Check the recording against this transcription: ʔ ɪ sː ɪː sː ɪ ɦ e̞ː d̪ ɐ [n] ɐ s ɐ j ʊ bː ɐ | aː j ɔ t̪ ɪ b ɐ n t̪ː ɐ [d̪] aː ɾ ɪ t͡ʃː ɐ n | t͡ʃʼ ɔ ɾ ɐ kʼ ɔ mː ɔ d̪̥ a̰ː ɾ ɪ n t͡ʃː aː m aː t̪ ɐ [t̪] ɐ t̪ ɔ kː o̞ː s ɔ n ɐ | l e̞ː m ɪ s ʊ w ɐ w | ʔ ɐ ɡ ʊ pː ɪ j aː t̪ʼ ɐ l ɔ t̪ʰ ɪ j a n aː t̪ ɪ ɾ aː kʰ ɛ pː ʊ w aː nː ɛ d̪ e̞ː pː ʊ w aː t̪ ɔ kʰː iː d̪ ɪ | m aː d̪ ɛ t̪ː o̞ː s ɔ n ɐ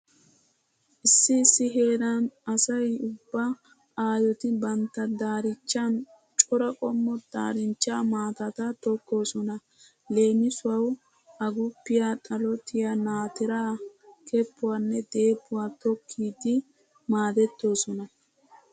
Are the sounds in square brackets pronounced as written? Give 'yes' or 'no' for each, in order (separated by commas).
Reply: yes, yes, yes